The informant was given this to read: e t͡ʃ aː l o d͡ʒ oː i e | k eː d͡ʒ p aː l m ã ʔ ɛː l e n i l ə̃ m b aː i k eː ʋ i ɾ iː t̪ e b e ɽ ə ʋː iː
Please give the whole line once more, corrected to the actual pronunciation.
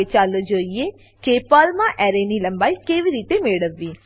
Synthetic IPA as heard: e t͡ʃ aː l o d͡ʒ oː i e | k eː p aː l m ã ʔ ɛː ɾ e n i l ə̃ m b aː i k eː ʋ i ɾ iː t̪ e m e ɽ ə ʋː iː